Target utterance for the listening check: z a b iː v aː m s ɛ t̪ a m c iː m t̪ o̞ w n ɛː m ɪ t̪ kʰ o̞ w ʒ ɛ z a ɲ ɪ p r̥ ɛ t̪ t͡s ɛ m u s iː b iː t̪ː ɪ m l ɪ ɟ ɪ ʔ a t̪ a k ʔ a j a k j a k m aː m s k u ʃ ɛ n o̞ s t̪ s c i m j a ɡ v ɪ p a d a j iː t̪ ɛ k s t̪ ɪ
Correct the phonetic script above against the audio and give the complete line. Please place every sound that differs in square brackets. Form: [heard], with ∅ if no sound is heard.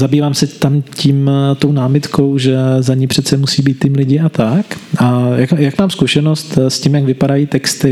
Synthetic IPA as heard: z a b iː v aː m s ɛ t̪ a m c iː m t̪ o̞ w n [aː] m ɪ t̪ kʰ o̞ w ʒ ɛ z a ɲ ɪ p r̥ ɛ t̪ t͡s ɛ m u s iː b iː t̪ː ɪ m l ɪ ɟ ɪ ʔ a t̪ a k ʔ a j a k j a k m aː m s k u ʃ ɛ n o̞ s t̪ s c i m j a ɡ v ɪ p a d a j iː t̪ ɛ k s t̪ ɪ